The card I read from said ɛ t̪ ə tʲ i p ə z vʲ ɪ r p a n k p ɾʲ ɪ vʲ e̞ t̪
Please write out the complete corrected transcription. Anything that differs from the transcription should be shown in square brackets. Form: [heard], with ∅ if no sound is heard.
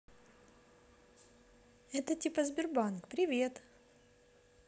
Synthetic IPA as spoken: ɛ t̪ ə tʲ i p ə z [bʲ] ɪ r [b] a n k p ɾʲ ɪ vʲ e̞ t̪